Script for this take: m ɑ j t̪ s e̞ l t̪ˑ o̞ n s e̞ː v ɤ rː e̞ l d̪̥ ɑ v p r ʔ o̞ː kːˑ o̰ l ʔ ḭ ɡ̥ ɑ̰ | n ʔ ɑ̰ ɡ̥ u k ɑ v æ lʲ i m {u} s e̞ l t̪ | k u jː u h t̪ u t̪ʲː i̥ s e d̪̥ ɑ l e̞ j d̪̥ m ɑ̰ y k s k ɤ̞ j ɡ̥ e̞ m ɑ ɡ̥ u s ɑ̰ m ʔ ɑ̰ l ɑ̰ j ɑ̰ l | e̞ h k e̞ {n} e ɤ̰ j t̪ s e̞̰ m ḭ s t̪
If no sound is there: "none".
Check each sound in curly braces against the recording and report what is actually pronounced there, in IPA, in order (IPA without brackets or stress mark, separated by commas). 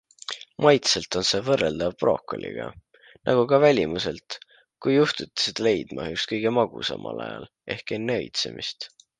u, nː